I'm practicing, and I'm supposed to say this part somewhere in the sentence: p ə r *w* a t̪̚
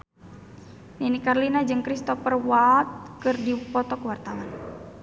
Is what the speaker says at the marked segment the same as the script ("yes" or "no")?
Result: yes